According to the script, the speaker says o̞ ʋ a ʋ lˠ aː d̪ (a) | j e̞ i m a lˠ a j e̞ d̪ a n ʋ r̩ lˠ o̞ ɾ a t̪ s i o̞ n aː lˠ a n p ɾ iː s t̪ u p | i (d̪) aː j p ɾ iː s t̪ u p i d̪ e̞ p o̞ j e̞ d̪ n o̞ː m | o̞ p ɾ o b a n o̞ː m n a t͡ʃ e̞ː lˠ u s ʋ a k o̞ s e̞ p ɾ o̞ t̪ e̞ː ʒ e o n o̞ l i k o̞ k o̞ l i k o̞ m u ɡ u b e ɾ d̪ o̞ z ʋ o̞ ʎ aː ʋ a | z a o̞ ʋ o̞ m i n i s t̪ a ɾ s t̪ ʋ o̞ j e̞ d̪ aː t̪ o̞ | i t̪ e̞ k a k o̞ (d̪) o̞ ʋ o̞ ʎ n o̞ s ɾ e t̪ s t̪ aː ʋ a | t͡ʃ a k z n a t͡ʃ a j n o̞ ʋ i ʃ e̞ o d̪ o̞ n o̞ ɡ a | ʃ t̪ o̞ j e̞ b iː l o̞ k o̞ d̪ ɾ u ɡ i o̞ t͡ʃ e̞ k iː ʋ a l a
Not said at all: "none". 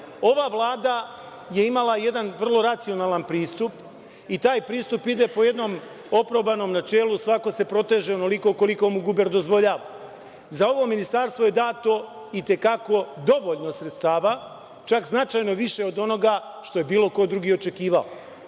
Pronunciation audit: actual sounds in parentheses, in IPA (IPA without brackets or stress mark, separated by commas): a, t̪, d̪